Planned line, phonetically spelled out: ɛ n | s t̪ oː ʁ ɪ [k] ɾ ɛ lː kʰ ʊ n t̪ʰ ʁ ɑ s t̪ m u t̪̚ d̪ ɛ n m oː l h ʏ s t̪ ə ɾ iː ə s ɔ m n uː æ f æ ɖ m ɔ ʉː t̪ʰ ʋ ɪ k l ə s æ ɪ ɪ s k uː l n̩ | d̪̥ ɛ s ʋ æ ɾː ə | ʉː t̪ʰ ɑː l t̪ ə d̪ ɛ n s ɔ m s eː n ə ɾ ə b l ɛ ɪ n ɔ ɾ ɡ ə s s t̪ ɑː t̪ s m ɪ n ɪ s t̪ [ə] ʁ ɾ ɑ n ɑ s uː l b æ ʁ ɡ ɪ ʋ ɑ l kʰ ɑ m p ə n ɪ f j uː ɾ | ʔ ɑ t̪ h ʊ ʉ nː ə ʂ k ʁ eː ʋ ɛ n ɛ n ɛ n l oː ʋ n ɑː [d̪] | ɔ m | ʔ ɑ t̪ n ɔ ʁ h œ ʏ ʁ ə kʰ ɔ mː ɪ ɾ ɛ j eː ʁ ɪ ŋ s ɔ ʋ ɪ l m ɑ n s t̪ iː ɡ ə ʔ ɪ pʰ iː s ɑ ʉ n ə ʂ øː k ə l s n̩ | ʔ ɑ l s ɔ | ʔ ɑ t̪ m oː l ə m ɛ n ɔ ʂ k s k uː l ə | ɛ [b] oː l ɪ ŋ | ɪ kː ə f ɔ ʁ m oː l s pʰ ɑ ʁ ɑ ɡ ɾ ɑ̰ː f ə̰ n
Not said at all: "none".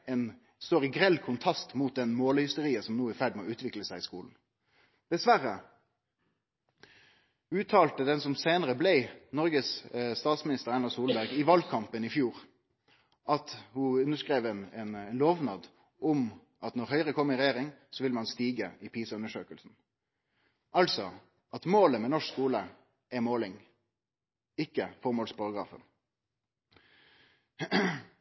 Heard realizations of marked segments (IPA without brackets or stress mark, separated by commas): ɡ, ə, d̪, m